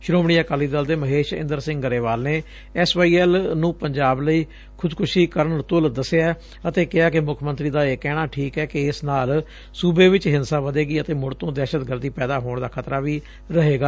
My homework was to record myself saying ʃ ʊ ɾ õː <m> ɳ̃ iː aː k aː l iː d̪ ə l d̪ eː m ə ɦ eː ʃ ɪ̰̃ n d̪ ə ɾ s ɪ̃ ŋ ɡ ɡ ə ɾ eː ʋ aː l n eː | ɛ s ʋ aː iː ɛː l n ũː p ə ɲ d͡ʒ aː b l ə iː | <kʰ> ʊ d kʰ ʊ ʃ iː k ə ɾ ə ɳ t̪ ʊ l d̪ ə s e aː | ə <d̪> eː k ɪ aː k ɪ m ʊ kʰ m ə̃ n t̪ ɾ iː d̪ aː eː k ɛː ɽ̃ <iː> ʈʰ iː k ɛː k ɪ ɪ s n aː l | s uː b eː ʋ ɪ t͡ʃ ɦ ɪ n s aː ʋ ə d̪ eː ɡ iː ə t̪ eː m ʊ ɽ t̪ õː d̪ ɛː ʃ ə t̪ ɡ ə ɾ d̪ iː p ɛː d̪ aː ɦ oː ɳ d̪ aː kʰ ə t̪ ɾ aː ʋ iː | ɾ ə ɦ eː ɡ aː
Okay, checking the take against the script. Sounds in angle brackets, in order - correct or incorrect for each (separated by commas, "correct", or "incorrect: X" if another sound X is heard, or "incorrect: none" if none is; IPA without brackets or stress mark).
correct, correct, incorrect: t̪, incorrect: aː